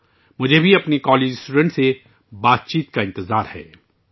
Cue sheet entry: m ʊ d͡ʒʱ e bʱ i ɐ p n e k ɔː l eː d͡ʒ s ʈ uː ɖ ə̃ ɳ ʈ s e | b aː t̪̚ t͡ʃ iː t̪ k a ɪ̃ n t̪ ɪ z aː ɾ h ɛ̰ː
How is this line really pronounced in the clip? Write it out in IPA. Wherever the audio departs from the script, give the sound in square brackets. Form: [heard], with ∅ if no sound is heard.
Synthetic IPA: m ʊ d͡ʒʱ e bʱ i ɐ p n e k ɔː l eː d͡ʒ s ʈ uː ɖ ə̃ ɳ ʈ s e | b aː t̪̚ t͡ʃ iː t̪ k a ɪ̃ n t̪ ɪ z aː ɾ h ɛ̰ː